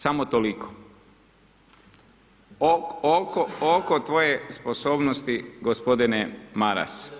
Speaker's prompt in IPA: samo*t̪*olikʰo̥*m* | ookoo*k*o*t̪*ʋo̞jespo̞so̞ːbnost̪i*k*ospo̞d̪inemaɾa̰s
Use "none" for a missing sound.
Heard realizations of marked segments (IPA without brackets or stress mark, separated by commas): t̪, none, k, t̪, ɡ